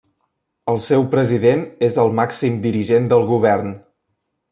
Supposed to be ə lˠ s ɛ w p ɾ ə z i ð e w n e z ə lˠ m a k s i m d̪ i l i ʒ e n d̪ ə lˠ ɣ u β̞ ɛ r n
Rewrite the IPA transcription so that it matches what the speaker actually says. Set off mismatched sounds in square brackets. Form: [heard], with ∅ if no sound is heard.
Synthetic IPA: ə lˠ s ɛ w p ɾ ə z i ð e [∅] n e z ə lˠ m a k s i m d̪ i [ɾ] i ʒ e n d̪ ə lˠ ɣ u β̞ ɛ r n